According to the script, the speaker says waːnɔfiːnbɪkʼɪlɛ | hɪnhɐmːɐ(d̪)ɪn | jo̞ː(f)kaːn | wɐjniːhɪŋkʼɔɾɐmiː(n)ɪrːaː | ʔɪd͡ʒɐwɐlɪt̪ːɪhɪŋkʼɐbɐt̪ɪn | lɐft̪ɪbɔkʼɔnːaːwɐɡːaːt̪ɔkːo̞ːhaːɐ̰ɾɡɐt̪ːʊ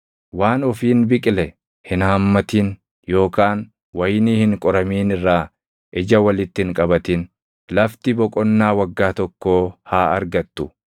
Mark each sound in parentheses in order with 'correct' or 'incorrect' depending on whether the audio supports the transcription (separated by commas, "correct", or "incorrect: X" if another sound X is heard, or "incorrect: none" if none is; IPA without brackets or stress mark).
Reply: incorrect: t̪, incorrect: none, correct